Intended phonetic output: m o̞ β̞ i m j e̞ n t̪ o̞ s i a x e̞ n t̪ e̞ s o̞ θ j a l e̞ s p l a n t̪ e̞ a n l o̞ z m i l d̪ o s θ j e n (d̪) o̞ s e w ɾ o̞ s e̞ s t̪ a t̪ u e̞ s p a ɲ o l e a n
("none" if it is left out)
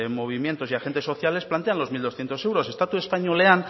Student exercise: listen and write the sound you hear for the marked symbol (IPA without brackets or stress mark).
t̪